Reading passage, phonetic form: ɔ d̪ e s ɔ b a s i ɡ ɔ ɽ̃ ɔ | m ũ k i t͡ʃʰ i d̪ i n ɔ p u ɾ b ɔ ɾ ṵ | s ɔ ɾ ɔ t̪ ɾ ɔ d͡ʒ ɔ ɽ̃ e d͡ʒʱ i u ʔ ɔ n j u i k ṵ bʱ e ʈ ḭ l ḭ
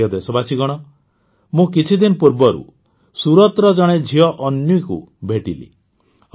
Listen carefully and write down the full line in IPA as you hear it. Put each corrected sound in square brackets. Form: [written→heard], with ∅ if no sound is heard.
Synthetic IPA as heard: ɔ d̪ e s ɔ b a s i ɡ ɔ ɽ̃ ɔ | m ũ k i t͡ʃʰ i d̪ i n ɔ p u ɾ b ɔ ɾ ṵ | s [ɔ→u] ɾ ɔ t̪ ɾ ɔ d͡ʒ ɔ ɽ̃ e d͡ʒʱ i [u→ɔ] ʔ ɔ n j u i k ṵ bʱ e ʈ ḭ l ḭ

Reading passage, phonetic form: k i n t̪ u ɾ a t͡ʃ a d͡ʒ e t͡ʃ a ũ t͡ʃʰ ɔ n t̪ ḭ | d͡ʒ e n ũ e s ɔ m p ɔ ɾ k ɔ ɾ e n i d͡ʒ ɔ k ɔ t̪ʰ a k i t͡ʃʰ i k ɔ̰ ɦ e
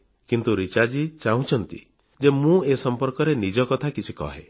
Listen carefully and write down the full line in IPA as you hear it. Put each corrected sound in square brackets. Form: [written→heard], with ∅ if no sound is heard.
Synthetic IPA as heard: k i n t̪ u ɾ [a→i] t͡ʃ a d͡ʒ [e→i] t͡ʃ a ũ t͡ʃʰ ɔ n t̪ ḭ | d͡ʒ e [n→m] ũ e s ɔ m p ɔ ɾ k ɔ ɾ e n i d͡ʒ ɔ k ɔ t̪ʰ a k i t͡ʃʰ i k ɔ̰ ɦ e

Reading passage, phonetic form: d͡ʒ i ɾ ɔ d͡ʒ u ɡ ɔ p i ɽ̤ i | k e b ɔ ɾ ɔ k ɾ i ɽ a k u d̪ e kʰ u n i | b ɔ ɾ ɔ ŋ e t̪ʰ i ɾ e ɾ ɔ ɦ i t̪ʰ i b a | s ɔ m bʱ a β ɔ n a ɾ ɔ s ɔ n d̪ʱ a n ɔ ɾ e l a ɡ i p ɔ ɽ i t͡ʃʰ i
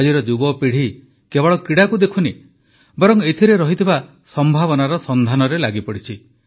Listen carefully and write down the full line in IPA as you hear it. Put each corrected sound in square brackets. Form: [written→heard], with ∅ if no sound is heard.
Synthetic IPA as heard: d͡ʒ i ɾ ɔ d͡ʒ u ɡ ɔ p i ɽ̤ i | k e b ɔ [ɾ→ɭ] ɔ k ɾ i ɽ a k u d̪ e kʰ u n i | b ɔ ɾ ɔ ŋ e t̪ʰ i ɾ e ɾ ɔ ɦ i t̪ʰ i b a | s ɔ m bʱ a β ɔ n a ɾ ɔ s ɔ n d̪ʱ a n ɔ ɾ e l a ɡ i p ɔ ɽ i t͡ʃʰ i

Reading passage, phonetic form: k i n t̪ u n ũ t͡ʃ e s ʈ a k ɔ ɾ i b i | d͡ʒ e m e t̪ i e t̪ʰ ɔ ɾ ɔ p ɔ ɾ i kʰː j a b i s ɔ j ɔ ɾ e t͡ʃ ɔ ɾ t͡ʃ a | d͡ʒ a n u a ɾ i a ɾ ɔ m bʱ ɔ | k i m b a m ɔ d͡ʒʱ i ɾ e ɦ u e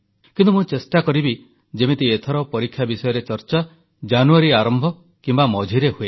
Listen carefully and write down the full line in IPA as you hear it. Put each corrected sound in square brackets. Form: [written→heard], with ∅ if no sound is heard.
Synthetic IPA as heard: k i n t̪ u [n→m] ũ t͡ʃ e s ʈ a k ɔ ɾ i b i | d͡ʒ e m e t̪ i e t̪ʰ ɔ ɾ ɔ p ɔ ɾ i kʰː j a b i s ɔ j ɔ ɾ e t͡ʃ ɔ ɾ t͡ʃ a | d͡ʒ a n u a ɾ i a ɾ ɔ m bʱ ɔ | k i m b a m ɔ d͡ʒʱ i ɾ e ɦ u e

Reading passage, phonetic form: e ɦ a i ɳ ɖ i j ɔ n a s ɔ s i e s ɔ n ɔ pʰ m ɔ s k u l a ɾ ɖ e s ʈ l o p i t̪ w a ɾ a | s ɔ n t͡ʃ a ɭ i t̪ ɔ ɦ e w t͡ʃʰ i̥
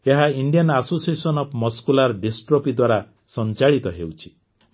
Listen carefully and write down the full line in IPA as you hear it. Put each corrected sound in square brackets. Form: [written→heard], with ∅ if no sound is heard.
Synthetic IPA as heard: e ɦ a i ɳ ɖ i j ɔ n a s [ɔ→o] s i e s ɔ n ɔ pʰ m ɔ s k u l a ɾ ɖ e s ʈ [l→ɾ] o p i [t̪→d̪] w a ɾ a | s ɔ n t͡ʃ a ɭ i t̪ ɔ ɦ e w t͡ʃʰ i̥

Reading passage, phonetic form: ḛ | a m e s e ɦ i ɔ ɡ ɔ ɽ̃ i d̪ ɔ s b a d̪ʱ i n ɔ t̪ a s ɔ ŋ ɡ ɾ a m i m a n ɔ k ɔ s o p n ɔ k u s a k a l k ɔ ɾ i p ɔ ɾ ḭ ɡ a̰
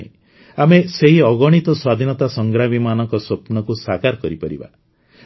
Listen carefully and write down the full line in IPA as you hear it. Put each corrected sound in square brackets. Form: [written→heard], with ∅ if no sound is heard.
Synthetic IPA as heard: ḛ | a m e s e ɦ i ɔ ɡ ɔ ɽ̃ i [d̪→t̪] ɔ s [b→w] a d̪ʱ i n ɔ t̪ a s ɔ ŋ ɡ ɾ a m i m a n ɔ k ɔ s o p n ɔ k u s a k a [l→ɾ] k ɔ ɾ i p ɔ ɾ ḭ [ɡ→b] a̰

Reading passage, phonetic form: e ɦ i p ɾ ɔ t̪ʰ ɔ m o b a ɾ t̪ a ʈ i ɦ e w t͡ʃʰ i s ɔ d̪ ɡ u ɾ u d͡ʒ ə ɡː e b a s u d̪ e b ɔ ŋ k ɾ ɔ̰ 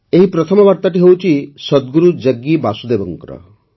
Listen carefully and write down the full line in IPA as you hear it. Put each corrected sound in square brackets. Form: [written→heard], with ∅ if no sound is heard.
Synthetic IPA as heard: e ɦ i p ɾ ɔ t̪ʰ ɔ m [o→ɔ] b a ɾ t̪ a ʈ i ɦ e w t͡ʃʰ i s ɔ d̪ ɡ u ɾ u d͡ʒ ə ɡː [e→i] b a s u d̪ e b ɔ ŋ k ɾ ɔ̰

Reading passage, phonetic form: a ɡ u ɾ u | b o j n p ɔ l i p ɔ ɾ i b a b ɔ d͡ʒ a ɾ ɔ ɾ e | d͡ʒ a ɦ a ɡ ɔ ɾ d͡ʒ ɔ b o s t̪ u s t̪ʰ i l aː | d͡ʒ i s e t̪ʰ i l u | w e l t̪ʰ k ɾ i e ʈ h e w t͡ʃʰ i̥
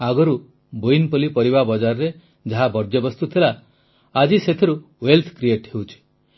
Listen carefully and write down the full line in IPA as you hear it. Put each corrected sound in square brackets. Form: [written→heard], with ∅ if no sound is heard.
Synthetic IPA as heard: a ɡ [u→ɔ] ɾ u | b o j n p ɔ l i p ɔ ɾ i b a b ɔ d͡ʒ a ɾ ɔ ɾ e | d͡ʒ a ɦ a [ɡ→b] ɔ ɾ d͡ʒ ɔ b [o→ɔ] s t̪ u [s→∅] t̪ʰ i l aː | d͡ʒ i s e t̪ʰ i [l→ɾ] u | w e l t̪ʰ k ɾ i e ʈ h e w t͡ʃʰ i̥

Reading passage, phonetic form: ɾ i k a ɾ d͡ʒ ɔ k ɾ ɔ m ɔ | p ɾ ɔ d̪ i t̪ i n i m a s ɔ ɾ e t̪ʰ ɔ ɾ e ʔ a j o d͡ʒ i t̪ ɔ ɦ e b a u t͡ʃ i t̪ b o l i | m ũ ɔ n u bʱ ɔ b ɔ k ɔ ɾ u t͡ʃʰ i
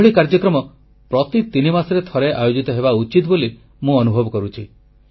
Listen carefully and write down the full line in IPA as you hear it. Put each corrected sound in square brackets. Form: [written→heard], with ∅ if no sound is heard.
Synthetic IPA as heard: [ɾ→ɭ] i k a ɾ d͡ʒ ɔ k ɾ ɔ m ɔ | p ɾ ɔ [d̪→t̪] i t̪ i n i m a s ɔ ɾ e t̪ʰ ɔ ɾ e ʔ a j o d͡ʒ i t̪ ɔ ɦ e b a u t͡ʃ i t̪ b o l i | m ũ ɔ n u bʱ ɔ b ɔ k ɔ ɾ u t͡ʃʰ i

